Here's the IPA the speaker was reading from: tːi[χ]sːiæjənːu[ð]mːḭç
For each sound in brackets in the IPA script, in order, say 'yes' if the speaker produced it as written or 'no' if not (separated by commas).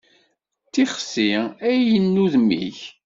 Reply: yes, yes